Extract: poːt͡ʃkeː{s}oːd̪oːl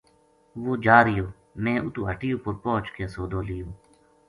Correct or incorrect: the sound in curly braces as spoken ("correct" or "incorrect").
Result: correct